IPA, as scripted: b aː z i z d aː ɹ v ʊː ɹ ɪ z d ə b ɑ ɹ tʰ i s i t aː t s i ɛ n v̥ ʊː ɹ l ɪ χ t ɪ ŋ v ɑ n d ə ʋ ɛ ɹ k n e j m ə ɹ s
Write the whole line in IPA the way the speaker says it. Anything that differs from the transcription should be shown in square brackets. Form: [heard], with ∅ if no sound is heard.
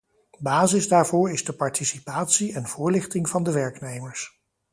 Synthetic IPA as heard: b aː z [ɪ] z d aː ɹ v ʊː ɹ ɪ z d ə [p] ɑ ɹ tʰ i s i [p] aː t s i ɛ n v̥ ʊː ɹ l ɪ χ t ɪ ŋ v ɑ n d ə ʋ ɛ ɹ k n e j m ə ɹ s

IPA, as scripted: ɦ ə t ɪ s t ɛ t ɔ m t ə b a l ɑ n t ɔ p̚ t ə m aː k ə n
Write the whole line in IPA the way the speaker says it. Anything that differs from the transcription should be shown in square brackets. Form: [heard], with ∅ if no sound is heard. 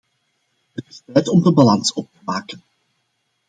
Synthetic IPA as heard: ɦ ə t ɪ s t ɛ t ɔ m [d] ə b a l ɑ n [s] ɔ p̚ t ə m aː k ə n

